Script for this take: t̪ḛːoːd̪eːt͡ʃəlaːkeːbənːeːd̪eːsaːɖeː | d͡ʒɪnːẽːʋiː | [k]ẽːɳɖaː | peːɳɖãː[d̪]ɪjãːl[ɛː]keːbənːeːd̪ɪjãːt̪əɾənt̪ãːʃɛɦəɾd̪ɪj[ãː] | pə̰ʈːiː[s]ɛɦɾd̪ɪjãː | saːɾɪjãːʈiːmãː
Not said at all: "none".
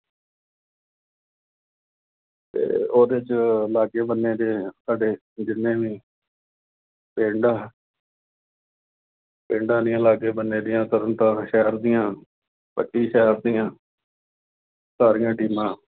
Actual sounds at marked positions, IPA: p, d̪, aː, ãː, ʃ

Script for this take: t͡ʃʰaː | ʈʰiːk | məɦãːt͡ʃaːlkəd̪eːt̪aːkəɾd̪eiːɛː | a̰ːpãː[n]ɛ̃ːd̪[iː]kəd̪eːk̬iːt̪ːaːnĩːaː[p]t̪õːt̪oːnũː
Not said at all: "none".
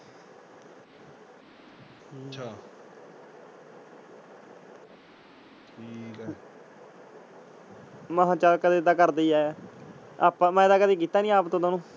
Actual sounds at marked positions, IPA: m, aː, p

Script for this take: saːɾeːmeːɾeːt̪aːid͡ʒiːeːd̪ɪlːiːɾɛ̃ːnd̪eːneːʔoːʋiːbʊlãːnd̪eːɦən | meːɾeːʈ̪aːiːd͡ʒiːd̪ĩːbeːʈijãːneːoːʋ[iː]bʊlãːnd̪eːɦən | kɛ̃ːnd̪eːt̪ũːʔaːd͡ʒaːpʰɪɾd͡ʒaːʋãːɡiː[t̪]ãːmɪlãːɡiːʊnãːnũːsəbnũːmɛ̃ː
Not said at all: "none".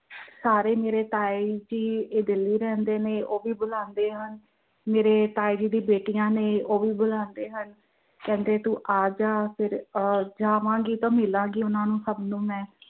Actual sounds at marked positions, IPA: iː, t̪

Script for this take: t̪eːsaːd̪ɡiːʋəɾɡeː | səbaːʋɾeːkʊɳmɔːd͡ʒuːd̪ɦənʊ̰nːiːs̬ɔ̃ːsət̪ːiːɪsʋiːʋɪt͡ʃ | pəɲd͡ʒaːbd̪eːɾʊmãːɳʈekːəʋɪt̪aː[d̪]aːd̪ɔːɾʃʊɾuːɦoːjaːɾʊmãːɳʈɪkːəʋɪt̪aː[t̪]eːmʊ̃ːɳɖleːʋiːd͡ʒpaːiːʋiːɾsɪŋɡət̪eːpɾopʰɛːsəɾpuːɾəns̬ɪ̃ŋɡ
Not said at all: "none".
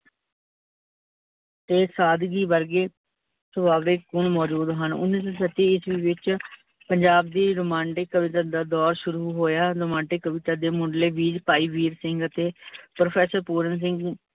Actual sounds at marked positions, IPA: d̪, d̪

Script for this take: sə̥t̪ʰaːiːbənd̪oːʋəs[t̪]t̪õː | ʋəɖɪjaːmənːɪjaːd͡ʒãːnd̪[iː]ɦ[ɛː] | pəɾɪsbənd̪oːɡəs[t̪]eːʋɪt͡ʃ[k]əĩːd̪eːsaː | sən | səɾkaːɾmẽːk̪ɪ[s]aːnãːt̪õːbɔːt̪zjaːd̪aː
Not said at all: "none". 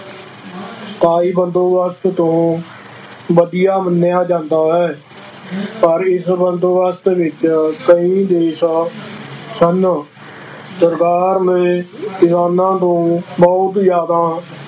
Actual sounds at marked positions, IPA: t̪, aː, ɛː, t̪, k, s

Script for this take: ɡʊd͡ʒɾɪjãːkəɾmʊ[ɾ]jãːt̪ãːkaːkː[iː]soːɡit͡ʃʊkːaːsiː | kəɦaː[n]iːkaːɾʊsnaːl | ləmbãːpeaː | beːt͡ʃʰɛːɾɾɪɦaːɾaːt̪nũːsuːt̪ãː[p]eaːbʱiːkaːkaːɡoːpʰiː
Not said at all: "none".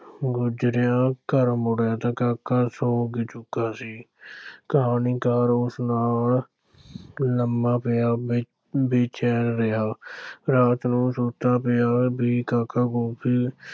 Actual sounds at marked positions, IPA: ɽ, aː, n, p

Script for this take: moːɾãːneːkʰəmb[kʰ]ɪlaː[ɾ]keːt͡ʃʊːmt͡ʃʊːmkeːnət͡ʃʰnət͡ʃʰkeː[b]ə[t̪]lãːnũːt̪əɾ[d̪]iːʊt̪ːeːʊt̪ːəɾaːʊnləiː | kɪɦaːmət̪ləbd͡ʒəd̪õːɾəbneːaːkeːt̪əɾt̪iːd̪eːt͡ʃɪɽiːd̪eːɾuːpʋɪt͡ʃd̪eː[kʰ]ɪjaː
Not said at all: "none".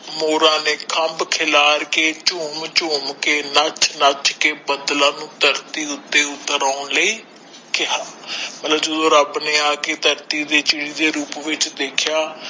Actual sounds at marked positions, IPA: kʰ, ɾ, b, d̪, t̪, kʰ

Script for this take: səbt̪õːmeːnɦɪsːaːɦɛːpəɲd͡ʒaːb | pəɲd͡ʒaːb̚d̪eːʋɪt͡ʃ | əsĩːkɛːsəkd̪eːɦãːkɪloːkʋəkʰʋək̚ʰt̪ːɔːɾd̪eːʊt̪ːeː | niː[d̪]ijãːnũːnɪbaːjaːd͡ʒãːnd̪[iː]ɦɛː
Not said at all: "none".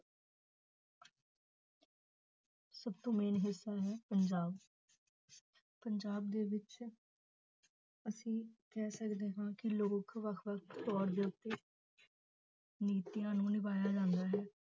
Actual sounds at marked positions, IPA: t̪, aː

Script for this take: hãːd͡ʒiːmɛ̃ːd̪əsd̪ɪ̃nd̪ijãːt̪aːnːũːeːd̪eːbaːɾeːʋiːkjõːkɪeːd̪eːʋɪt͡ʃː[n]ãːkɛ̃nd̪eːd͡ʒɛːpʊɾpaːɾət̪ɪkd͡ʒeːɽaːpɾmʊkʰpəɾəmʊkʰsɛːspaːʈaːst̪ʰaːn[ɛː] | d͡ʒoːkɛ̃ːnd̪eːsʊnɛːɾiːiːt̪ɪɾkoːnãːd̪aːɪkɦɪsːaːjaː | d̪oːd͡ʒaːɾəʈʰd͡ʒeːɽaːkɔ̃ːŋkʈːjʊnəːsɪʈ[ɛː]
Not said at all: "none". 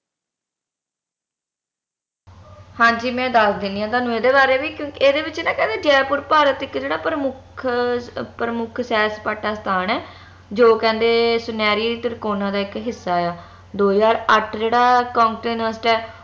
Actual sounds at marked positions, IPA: n, ɛː, ɛː

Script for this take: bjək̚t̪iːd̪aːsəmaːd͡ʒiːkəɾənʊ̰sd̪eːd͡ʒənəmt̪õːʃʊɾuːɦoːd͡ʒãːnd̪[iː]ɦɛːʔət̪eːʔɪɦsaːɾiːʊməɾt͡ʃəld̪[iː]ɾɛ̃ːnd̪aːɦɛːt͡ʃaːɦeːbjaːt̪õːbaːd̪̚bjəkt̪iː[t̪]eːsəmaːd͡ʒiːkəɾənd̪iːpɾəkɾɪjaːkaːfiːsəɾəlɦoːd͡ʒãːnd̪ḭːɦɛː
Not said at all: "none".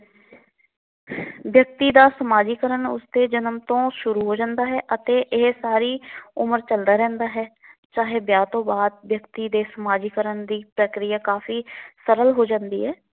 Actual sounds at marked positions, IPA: aː, aː, d̪

